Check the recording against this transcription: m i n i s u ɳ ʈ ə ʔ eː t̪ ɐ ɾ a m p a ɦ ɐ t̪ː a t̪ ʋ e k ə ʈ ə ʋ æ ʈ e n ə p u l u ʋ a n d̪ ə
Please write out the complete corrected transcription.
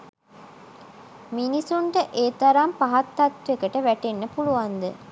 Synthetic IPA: m i n i s u ɳ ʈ ə ʔ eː t̪ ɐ ɾ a m p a ɦ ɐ t̪ː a t̪ ʋ e k ə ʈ ə ʋ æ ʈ e nː ə p u l u ʋ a n d̪ ə